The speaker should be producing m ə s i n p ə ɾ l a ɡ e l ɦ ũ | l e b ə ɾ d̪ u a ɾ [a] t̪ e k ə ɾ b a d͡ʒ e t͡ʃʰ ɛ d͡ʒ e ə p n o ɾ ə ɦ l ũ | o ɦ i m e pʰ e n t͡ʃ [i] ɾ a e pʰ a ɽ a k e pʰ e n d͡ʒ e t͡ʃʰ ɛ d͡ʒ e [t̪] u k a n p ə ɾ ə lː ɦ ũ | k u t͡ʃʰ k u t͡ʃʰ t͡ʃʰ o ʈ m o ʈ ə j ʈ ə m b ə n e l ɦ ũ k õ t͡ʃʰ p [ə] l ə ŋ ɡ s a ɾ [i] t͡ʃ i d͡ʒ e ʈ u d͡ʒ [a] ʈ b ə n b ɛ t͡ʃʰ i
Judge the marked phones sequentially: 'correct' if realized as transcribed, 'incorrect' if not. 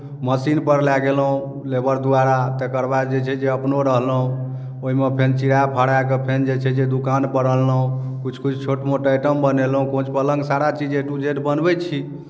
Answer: correct, correct, incorrect: d̪, correct, incorrect: a, incorrect: e

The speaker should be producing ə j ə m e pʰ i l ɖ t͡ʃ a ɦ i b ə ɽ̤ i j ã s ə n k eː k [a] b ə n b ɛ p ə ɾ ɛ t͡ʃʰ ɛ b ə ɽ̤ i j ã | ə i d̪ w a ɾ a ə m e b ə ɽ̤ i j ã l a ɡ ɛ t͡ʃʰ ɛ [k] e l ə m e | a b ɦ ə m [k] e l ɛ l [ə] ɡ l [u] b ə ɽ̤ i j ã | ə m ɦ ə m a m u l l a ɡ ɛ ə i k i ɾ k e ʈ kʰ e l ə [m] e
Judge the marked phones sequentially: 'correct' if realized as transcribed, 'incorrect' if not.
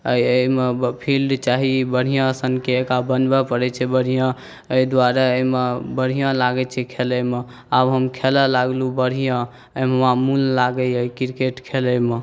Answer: correct, incorrect: kʰ, incorrect: kʰ, incorrect: a, correct, correct

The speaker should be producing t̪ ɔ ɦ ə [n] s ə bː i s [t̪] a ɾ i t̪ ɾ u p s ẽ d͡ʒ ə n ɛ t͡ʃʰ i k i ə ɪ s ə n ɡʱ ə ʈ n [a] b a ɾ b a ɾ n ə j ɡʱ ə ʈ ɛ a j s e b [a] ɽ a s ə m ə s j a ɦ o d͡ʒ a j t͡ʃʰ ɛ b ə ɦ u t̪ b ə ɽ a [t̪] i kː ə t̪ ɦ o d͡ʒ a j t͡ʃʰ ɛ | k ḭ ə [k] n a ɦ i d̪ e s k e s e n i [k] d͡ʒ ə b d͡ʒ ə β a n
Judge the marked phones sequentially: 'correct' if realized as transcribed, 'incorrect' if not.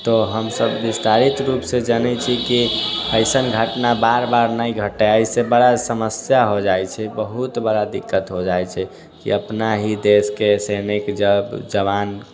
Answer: incorrect: m, correct, correct, incorrect: ə, incorrect: d̪, incorrect: p, correct

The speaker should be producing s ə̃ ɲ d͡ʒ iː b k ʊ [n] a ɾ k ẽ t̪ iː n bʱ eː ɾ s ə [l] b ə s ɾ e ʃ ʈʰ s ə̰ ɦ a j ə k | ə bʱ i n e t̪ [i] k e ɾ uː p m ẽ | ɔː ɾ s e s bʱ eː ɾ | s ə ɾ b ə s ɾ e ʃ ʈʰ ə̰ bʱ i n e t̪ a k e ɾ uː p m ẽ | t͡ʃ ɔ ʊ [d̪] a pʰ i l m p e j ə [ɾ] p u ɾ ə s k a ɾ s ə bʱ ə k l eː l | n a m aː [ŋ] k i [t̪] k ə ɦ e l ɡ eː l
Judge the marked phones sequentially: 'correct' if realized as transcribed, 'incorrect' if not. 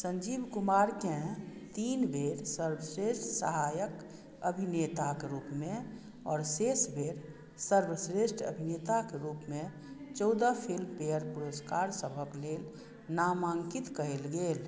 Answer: incorrect: m, incorrect: ɾ, incorrect: a, correct, correct, correct, correct

